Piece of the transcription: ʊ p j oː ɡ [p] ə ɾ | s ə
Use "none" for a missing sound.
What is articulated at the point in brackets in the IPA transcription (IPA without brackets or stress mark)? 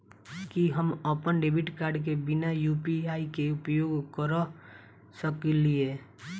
k